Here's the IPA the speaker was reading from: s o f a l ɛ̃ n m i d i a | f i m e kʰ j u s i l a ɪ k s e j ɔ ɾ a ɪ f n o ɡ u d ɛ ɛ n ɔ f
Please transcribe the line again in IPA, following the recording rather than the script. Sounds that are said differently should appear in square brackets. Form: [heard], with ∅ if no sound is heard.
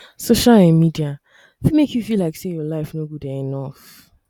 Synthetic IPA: s o [ʃ] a l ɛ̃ n m i d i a | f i m e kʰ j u [f] i l a ɪ k s e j ɔ [l] a ɪ f n o ɡ u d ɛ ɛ n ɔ f